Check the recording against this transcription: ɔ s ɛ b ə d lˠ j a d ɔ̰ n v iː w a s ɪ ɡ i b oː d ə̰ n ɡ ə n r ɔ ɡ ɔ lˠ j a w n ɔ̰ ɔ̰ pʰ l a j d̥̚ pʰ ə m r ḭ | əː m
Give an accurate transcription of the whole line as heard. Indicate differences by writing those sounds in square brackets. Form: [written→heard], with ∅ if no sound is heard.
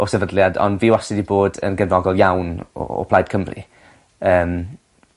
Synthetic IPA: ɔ s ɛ [b→v] ə d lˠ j a d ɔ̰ n v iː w a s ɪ [ɡ→d] i b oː d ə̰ n ɡ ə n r ɔ ɡ ɔ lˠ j a w n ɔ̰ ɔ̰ pʰ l a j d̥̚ [pʰ→kʰ] ə m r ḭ | əː m